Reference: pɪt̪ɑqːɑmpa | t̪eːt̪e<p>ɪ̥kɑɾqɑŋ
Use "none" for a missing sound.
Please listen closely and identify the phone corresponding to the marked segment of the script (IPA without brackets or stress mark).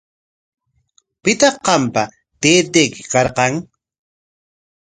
k